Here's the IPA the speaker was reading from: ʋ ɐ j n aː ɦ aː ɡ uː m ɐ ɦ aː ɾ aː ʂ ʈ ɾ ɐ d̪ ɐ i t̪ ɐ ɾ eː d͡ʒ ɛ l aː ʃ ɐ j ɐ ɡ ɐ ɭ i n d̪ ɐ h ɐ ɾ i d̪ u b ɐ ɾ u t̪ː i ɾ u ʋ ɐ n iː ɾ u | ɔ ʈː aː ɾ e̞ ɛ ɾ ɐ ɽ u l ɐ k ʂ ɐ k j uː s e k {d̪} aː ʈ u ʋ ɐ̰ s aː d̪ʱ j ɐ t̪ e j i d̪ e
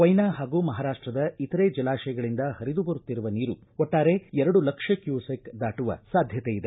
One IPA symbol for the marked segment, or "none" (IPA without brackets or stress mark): d̪